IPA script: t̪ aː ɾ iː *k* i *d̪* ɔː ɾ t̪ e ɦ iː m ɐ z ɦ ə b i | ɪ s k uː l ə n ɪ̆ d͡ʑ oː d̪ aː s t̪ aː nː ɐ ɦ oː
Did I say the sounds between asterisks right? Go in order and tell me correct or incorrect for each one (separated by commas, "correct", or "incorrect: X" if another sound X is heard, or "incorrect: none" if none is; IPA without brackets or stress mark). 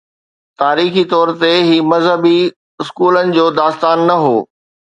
incorrect: x, incorrect: t̪